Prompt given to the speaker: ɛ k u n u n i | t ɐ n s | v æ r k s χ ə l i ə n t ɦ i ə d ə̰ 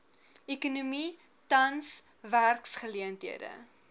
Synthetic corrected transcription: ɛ k u n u m i | t ɐ n s | v æ r k s χ ə l i ə n t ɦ i ə d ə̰

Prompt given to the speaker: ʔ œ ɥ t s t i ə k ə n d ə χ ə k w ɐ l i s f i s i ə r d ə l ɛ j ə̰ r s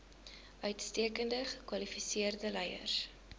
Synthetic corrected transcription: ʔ œ ɥ t s t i ə k ə n d ə χ ə k w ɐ l i f i s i ə r d ə l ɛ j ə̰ r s

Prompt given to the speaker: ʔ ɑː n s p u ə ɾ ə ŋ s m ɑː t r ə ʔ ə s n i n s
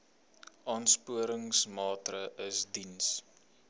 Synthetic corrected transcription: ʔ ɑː n s p u ə ɾ ə ŋ s m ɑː t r ə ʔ ə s d i n s

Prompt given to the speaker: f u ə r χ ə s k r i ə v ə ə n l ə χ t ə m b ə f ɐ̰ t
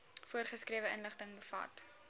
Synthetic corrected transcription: f u ə r χ ə s k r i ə v ə ə n l ə χ t ə ŋ b ə f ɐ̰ t

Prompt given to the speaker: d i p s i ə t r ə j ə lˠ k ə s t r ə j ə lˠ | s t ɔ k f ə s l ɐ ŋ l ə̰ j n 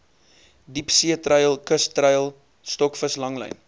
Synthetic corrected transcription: d i p s i ə t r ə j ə lˠ k ə s t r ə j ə lˠ | s t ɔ k f ə s l ɐ ŋ l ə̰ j n

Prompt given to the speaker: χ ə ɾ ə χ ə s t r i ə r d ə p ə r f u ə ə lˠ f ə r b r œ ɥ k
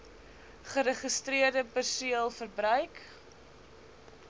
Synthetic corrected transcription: χ ə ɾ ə χ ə s t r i ə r d ə p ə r s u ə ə lˠ f ə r b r œ ɥ k

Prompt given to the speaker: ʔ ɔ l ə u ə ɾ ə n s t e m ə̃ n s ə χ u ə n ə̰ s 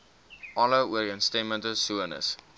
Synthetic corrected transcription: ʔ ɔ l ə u ə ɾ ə n s t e m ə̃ n t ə s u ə n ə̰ s

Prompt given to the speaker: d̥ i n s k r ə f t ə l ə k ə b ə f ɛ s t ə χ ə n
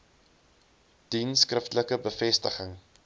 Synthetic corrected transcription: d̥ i n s k r ə f t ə l ə k ə b ə f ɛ s t ə χ ə ŋ

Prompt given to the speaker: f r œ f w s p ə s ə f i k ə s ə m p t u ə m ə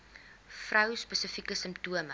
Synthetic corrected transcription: f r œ w s p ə s ə f i k ə s ə m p t u ə m ə

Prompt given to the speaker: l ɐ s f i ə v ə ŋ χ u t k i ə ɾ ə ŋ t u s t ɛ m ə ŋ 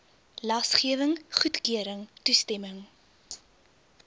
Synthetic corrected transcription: l ɐ s χ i ə v ə ŋ χ u t k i ə ɾ ə ŋ t u s t ɛ m ə ŋ

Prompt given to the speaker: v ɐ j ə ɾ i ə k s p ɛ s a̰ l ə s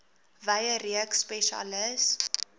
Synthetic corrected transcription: v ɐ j ə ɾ i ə k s p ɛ ʃ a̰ l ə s

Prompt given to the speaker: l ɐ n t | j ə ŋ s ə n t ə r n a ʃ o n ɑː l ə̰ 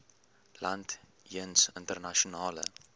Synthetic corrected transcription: l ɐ n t | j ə n s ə n t ə r n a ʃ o n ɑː l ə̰

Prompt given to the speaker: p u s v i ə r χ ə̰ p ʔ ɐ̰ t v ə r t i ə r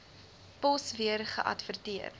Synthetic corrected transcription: p ɔ s v i ə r χ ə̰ ʔ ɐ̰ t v ə r t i ə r

